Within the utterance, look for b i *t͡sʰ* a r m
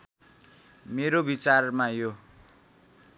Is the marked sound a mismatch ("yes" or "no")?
yes